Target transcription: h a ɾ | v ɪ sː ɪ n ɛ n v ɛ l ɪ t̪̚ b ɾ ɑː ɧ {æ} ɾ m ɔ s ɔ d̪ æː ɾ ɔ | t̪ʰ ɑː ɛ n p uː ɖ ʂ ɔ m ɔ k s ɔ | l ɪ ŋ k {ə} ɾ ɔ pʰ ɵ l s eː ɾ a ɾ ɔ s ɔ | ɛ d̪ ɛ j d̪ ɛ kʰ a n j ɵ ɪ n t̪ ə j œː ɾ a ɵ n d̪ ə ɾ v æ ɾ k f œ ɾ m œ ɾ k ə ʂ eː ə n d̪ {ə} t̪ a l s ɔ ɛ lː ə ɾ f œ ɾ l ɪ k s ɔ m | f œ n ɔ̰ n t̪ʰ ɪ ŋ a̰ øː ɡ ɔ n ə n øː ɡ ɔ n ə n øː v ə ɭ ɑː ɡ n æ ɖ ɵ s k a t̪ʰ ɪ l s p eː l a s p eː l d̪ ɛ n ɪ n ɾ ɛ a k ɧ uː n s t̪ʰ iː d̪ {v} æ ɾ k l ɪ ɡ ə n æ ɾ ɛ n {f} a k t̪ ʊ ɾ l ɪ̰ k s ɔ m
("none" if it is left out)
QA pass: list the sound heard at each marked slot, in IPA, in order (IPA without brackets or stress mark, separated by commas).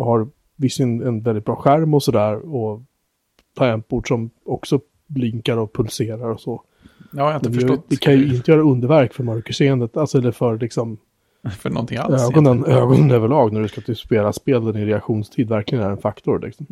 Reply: æ, a, ə, v, f